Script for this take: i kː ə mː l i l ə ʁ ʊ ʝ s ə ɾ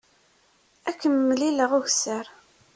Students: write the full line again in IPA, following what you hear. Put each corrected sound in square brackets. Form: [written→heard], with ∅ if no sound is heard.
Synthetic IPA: [i→æ] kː ə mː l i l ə ʁ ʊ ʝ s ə ɾ